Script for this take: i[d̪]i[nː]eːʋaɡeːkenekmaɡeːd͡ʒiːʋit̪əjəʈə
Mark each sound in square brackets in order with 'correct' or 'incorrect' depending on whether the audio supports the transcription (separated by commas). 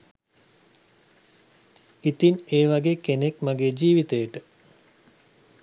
incorrect, incorrect